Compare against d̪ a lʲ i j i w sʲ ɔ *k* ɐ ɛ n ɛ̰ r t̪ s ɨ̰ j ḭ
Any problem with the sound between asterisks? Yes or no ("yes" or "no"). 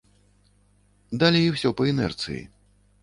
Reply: yes